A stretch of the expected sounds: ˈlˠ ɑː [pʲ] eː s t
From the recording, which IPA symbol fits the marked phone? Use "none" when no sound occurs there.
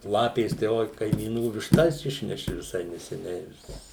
pʲ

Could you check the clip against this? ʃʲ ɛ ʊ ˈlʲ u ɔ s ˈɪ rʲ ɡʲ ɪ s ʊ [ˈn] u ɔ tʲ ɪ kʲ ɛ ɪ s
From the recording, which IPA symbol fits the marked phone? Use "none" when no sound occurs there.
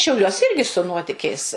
n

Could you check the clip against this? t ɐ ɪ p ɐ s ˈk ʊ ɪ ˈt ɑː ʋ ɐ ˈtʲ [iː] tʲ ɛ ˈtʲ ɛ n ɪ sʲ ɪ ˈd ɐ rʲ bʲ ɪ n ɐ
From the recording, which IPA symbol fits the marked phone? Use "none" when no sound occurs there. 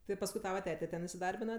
æː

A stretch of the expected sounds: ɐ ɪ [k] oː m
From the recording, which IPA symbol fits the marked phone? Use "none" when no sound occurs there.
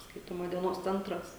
t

